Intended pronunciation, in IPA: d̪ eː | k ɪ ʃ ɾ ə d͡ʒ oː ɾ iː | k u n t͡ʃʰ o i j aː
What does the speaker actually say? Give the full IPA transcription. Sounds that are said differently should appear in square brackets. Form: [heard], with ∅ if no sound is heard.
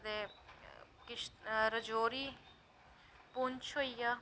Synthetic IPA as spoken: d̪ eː | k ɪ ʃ ɾ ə d͡ʒ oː ɾ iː | [p] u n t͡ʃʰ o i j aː